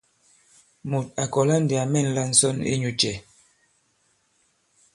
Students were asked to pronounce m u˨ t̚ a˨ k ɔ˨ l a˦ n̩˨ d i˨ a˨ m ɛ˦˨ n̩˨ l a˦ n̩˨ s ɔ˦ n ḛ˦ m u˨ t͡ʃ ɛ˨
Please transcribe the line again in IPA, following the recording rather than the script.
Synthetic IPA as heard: m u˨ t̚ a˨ k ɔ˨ l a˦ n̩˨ d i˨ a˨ m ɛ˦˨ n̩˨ l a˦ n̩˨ s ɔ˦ n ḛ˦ ɲ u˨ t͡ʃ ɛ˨